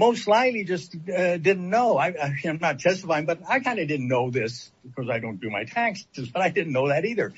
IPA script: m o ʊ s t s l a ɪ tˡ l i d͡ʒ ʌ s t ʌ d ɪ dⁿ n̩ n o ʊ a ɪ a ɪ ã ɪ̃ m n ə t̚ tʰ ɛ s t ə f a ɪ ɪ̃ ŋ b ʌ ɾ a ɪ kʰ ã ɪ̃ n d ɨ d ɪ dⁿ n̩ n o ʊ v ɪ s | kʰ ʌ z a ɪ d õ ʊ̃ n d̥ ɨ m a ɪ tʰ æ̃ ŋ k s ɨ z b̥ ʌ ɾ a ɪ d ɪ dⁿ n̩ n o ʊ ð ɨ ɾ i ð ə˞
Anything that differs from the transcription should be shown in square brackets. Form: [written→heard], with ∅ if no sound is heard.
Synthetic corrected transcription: m o ʊ s t s l a ɪ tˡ l i d͡ʒ ʌ s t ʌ d ɪ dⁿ n̩ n o ʊ a ɪ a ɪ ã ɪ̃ m n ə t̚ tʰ ɛ s t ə f a ɪ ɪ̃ ŋ b ʌ ɾ a ɪ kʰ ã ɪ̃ n d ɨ d ɪ dⁿ n̩ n o ʊ [v→ð] ɪ s | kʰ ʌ z a ɪ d õ ʊ̃ n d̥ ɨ m a ɪ tʰ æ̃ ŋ k s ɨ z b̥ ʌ ɾ a ɪ d ɪ dⁿ n̩ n o ʊ ð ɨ ɾ i ð ə˞